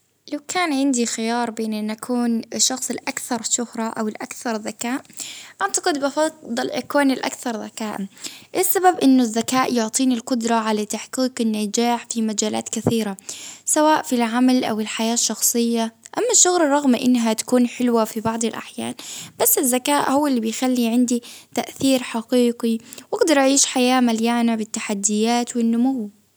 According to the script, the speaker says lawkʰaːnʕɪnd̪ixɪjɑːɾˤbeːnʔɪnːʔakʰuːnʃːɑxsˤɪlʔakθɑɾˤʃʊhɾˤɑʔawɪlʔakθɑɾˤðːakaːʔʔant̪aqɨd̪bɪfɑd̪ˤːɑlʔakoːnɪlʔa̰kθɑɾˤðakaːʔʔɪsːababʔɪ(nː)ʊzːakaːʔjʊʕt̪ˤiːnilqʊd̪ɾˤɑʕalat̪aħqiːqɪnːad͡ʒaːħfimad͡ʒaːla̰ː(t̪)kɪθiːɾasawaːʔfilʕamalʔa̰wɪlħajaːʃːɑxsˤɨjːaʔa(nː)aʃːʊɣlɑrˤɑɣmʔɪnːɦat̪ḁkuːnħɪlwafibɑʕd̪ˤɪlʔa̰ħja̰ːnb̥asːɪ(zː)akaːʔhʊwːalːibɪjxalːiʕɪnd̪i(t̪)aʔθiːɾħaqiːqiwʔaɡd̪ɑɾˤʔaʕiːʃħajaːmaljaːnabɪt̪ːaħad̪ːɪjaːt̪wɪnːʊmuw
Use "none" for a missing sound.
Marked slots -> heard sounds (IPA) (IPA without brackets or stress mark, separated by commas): nː, t̪, mː, zː, t̪